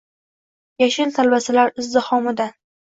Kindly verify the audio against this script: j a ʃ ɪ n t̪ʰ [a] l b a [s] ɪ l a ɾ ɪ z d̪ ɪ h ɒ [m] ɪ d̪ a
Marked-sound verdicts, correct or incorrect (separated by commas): correct, correct, correct